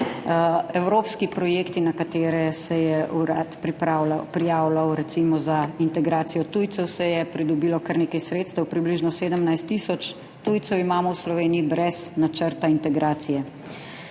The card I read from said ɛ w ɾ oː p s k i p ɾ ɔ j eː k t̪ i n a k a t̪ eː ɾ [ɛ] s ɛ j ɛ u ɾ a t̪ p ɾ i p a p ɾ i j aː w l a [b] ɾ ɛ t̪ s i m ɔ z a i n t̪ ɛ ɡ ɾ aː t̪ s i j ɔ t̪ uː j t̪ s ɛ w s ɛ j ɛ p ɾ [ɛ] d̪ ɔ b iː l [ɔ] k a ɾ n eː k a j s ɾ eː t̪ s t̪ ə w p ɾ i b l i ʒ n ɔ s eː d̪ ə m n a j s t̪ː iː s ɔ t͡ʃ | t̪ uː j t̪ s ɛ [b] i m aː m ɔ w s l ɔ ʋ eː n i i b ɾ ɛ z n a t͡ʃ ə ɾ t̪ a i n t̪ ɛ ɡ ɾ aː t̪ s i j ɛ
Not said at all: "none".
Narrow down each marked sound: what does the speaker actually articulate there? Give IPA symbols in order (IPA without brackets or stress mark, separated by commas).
ɛ, w, i, ɔ, w